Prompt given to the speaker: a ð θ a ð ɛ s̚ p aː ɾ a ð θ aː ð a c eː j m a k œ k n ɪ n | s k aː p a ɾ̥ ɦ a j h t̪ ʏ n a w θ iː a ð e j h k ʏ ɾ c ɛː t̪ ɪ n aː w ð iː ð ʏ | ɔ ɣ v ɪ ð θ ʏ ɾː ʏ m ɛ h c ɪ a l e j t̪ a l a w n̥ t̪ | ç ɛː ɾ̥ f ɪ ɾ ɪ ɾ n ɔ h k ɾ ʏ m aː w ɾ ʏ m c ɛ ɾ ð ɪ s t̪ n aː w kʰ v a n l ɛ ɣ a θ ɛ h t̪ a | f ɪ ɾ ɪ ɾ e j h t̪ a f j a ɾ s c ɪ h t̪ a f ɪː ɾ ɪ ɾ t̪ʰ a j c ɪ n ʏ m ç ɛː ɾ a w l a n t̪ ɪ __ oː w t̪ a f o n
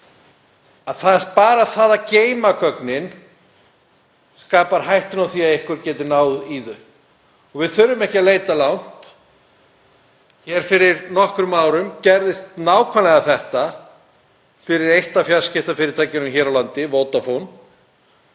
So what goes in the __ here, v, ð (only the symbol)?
v